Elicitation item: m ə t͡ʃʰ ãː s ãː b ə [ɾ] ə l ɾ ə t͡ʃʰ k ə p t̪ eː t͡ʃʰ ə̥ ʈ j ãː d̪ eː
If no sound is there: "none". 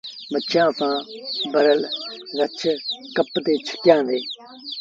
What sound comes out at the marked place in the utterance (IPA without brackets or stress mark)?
ɾ